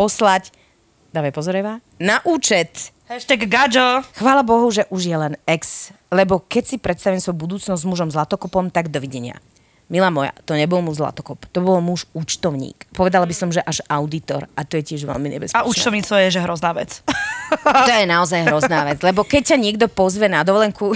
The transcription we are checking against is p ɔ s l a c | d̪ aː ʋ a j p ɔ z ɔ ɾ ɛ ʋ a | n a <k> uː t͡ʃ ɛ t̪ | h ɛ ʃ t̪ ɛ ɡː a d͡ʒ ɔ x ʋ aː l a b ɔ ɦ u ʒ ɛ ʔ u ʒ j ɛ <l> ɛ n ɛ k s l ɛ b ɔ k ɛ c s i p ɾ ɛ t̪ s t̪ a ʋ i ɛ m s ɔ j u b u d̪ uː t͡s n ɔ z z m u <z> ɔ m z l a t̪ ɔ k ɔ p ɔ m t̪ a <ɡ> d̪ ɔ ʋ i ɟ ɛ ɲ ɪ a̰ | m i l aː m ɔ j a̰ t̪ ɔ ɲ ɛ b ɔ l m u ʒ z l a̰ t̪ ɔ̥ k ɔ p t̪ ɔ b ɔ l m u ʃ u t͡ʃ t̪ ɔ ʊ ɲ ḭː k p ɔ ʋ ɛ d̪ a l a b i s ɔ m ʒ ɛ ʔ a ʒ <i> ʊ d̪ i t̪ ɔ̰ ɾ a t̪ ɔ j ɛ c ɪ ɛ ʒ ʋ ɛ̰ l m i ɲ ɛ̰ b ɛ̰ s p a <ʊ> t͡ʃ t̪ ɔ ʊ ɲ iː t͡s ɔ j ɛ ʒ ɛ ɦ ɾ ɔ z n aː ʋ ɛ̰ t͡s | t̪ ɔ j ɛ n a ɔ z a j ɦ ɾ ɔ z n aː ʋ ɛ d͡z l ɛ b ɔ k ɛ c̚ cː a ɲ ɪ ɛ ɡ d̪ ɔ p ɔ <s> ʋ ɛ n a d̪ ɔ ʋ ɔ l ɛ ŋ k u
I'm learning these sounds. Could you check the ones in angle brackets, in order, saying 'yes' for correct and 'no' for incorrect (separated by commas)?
no, yes, no, yes, no, no, no